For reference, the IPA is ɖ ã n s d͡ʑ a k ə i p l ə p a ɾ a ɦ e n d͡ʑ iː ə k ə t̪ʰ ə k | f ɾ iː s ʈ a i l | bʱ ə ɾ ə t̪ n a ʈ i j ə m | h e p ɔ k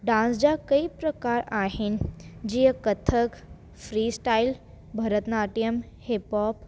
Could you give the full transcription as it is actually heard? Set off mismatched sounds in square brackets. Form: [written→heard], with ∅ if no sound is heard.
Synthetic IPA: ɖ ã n s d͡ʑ a k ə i p [l→ɾ] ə [p→k] a ɾ a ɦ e n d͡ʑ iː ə k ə t̪ʰ ə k | f ɾ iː s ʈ a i l | bʱ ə ɾ ə t̪ n a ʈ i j ə m | h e p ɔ [k→p]